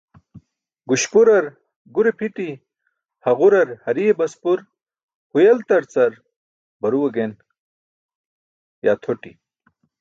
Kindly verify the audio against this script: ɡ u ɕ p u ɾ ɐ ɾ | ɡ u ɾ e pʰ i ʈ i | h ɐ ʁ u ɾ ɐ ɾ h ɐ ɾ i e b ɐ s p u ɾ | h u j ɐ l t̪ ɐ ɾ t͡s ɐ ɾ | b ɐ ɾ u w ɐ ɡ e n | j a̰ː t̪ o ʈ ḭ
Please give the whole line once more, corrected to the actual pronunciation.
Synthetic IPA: ɡ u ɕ p u ɾ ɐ ɾ | ɡ u ɾ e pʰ i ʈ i | h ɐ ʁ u ɾ ɐ ɾ h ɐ ɾ i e b ɐ s p u ɾ | h u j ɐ l t̪ ɐ ɾ t͡s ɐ ɾ | b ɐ ɾ u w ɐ ɡ e n | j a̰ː t̪ʰ o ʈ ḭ